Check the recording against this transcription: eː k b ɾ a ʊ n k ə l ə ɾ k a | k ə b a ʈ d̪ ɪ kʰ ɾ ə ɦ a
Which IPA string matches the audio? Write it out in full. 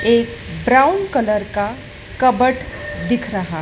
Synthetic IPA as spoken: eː k b ɾ a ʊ n k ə l ə ɾ k a | k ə b ə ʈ d̪ ɪ kʰ ɾ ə ɦ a